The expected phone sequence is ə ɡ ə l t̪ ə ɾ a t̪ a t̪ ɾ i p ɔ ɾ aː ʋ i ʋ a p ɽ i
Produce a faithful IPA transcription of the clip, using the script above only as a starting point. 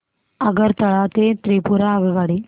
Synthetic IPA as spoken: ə ɡ ə ɾ t̪ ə ɭ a t̪ e t̪ ɾ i p u ɾ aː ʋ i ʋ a ɽ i